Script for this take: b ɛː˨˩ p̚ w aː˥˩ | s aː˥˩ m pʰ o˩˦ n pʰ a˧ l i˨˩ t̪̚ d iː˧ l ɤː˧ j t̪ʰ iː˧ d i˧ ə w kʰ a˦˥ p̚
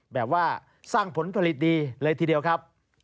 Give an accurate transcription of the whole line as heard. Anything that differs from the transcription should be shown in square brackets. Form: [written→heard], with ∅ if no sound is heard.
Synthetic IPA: b ɛː˨˩ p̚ w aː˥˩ | s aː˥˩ [m→ŋ] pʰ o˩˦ n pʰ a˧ l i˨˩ t̪̚ d iː˧ l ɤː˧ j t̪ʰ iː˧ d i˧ ə w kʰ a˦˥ p̚